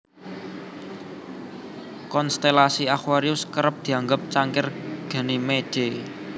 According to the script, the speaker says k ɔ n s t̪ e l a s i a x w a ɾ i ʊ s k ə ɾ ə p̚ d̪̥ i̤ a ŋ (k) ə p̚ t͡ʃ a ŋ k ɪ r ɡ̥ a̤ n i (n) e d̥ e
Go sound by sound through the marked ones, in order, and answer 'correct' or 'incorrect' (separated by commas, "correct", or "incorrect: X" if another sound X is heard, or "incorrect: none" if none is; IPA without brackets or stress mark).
incorrect: ɡ, incorrect: m